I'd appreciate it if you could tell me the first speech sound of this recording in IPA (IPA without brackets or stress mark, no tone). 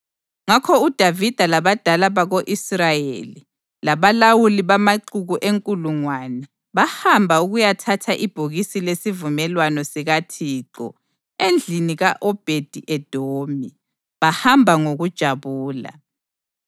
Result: ŋ